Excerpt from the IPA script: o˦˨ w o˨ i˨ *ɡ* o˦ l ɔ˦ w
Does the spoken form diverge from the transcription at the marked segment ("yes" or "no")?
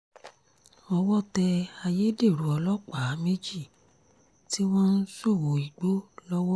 yes